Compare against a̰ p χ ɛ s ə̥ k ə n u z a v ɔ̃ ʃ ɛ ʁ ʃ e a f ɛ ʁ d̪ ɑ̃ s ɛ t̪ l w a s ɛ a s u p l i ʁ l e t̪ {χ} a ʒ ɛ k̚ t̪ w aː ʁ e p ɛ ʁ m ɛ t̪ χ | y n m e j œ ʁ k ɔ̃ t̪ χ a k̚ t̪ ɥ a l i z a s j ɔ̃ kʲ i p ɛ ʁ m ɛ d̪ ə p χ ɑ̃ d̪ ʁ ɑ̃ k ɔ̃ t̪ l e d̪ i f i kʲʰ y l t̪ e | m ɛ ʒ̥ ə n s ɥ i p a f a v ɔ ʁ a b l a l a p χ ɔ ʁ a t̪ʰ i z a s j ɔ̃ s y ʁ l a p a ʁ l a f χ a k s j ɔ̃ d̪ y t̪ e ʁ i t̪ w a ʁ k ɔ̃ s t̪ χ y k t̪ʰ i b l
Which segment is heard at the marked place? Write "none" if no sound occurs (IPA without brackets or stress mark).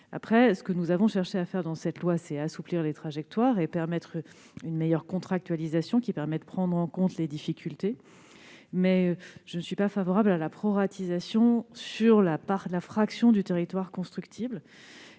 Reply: χ